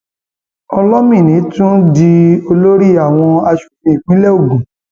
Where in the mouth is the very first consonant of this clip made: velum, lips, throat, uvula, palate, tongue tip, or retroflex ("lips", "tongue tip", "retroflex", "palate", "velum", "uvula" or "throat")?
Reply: tongue tip